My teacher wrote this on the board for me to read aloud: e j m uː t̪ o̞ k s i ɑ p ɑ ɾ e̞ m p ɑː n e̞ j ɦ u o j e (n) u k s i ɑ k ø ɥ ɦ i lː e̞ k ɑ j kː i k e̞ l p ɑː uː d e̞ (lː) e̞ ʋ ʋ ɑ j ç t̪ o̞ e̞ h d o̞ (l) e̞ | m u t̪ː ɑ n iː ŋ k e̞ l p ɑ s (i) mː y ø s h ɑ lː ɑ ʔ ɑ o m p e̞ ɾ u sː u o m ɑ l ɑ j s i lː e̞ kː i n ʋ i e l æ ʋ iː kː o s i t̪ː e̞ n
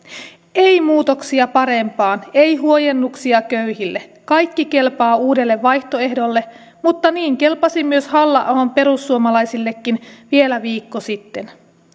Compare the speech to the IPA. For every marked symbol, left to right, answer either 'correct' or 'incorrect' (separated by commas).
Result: incorrect, correct, incorrect, correct